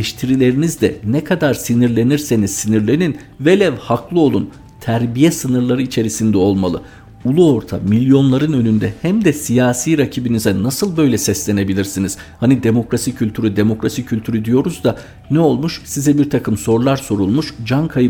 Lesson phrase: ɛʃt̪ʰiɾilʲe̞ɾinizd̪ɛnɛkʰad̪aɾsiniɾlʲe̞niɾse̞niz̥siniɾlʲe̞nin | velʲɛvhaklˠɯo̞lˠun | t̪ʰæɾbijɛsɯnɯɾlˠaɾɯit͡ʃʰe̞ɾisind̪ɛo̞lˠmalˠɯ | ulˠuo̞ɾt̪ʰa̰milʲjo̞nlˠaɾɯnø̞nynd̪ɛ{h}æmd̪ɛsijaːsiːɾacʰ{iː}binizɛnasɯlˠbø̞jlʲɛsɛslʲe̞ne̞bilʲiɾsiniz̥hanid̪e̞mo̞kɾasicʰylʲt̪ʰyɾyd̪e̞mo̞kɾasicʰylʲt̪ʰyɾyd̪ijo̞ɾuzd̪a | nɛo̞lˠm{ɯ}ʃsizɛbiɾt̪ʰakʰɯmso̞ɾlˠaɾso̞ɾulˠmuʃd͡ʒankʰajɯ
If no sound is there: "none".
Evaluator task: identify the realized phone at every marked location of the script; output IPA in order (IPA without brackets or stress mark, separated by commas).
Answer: h, i, u